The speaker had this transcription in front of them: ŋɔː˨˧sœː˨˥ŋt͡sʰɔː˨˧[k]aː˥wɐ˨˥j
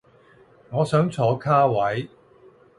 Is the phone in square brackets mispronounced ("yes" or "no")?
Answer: yes